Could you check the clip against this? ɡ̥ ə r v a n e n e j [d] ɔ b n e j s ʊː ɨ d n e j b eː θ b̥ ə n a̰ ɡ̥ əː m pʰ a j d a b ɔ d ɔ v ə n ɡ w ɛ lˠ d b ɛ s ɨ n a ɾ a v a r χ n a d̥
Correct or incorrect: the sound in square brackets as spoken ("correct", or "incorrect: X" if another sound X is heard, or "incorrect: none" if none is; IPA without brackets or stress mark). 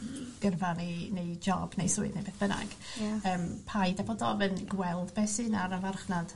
incorrect: d͡ʒ